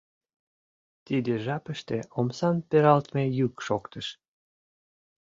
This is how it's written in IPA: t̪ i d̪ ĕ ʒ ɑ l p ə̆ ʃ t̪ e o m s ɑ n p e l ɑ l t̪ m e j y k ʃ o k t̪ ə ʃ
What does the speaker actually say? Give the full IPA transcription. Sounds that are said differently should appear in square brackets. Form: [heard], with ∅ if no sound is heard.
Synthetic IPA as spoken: t̪ i d̪ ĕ ʒ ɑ [∅] p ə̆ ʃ t̪ e o m s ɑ n p e [ɾ] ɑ l t̪ m e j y k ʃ o k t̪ ə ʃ

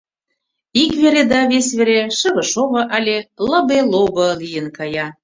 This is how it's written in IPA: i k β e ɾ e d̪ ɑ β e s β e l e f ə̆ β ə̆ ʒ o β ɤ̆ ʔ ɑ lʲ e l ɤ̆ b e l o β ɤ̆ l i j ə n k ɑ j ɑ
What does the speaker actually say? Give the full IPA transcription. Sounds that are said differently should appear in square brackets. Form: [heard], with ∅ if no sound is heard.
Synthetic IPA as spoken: i k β e ɾ e d̪ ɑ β e s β e [ɾ] e [ʃ] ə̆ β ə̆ [ʃ] o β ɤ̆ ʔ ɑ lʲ e l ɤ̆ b e l o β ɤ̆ l i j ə n k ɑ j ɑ

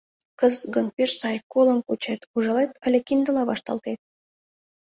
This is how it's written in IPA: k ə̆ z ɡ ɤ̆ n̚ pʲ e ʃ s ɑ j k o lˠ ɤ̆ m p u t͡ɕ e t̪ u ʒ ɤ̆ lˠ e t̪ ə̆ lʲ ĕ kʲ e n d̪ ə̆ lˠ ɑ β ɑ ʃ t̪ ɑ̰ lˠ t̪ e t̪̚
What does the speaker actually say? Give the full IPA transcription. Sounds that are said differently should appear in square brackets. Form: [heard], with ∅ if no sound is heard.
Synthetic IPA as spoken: k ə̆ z ɡ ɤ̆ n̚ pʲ e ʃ s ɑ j k o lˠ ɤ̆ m [k] u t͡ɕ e t̪ u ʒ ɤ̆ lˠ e t̪ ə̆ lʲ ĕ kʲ [i] n d̪ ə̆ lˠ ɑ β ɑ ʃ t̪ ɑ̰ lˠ t̪ e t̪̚

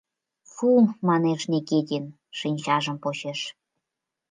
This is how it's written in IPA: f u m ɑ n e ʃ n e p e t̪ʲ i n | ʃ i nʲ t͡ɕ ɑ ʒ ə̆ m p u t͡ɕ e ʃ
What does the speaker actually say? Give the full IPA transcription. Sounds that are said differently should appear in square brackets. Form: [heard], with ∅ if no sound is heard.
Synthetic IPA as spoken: f u m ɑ n e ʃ n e [k] e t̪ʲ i n | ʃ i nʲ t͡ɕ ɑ ʒ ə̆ m p [o] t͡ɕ e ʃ

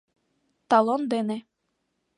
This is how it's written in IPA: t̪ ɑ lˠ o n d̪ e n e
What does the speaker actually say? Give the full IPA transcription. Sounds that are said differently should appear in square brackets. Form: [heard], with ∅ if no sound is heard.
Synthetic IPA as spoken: t̪ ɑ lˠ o n d̪ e n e

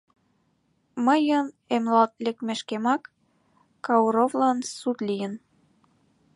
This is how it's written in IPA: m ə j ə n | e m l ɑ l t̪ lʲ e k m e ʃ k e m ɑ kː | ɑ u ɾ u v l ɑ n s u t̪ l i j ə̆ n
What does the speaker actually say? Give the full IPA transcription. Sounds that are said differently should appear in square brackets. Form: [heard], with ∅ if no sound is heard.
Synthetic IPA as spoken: m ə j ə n | e m l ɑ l t̪ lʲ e k m e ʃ k e m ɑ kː | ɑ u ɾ [o] v l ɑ n s u t̪ l i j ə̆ n

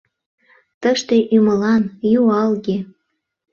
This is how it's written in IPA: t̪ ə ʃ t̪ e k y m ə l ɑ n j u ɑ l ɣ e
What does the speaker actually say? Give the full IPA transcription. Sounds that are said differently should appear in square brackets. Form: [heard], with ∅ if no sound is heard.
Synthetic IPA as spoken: t̪ ə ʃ t̪ e [ʔ] y m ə l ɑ n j u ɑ l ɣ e

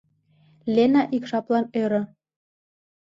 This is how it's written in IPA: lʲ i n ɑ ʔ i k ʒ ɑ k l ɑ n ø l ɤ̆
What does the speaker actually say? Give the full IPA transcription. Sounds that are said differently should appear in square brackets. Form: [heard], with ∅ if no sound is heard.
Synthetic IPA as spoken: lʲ [e] n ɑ ʔ i k [ʃ] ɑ [p] l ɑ n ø [ɾ] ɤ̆

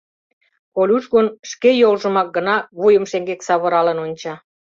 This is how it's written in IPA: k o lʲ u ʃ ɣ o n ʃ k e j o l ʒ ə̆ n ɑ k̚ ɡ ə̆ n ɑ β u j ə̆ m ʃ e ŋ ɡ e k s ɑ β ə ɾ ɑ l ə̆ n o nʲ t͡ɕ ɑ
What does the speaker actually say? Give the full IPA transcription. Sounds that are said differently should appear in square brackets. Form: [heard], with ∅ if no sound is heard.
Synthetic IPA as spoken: k o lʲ u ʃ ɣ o n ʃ k e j o l ʒ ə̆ [m] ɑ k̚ ɡ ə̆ n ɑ β u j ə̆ m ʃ e ŋ ɡ e k s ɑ β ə ɾ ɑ l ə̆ n o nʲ t͡ɕ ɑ

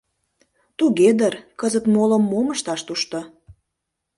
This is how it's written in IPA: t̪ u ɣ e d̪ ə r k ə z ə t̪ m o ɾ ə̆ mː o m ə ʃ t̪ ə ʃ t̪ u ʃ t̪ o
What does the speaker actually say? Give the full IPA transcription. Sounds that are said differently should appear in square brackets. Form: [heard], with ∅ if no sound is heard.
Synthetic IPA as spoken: t̪ u ɣ e d̪ ə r k ə z ə t̪ m o [l] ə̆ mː o m ə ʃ t̪ [ɑ] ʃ t̪ u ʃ t̪ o

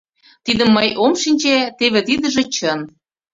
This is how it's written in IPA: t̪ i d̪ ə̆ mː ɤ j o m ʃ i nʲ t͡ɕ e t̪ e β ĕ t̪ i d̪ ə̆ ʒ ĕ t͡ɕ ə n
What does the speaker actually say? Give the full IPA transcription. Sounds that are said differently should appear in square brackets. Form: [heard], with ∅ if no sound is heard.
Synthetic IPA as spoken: t̪ i d̪ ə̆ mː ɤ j o m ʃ i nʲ t͡ɕ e t̪ e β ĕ t̪ i d̪ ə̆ ʒ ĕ t͡ɕ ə n

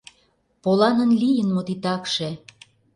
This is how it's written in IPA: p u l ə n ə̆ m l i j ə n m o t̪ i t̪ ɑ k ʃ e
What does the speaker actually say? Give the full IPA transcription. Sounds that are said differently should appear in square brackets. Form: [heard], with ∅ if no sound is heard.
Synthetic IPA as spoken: p [o] l [ɑ] n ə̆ [n] l i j ə n m o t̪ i t̪ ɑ k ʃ e

